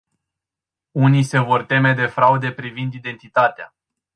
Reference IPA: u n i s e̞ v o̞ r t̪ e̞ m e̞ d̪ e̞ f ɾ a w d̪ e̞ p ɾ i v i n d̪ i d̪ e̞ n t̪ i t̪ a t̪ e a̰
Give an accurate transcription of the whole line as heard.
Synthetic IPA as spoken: u n i s e̞ v o̞ r t̪ e̞ m e̞ d̪ e̞ f ɾ a u d̪ e̞ p ɾ i v i n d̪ i d̪ e̞ n t̪ i t̪ a t̪ e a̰